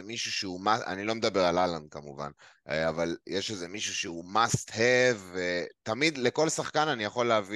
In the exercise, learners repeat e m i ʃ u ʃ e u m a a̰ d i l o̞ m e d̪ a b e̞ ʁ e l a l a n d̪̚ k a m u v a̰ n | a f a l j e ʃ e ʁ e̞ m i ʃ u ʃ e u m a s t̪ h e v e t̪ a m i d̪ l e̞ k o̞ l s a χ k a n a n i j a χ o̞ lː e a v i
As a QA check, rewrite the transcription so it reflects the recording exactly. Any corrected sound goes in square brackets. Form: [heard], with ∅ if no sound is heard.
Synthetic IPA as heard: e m i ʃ u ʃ e u m a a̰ [n] i l o̞ m e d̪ a b e̞ ʁ [a] l a l a n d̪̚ k a m u v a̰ n | a [v] a l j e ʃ e [z] e̞ m i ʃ u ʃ e u m a s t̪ h e v e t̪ a m i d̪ l e̞ k o̞ l s a χ k a n a n i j a χ o̞ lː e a v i